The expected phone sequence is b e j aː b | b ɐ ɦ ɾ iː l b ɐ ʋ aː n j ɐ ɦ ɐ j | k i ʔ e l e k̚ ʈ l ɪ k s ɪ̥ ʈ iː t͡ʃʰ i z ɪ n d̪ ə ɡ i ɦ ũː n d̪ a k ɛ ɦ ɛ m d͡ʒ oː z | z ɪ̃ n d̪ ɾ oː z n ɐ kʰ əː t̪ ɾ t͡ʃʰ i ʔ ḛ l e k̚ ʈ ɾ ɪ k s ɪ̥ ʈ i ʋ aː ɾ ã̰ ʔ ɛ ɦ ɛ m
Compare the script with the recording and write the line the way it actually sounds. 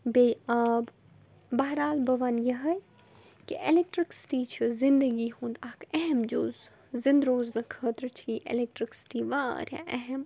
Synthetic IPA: b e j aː b | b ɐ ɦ ɾ aː l b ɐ ʋ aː n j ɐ ɦ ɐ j | k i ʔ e l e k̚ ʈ ɾ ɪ k s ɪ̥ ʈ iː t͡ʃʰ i z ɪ n d̪ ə ɡ i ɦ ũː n d̪ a k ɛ ɦ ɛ m d͡ʒ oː z | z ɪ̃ n d̪ ɾ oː z n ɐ kʰ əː t̪ ɾ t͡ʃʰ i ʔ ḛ l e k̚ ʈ ɾ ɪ k s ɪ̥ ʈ i ʋ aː ɾ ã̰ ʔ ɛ ɦ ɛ m